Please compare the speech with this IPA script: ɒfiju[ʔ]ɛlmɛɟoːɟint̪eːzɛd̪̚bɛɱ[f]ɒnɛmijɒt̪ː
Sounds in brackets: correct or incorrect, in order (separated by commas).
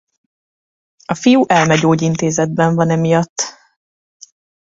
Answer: correct, incorrect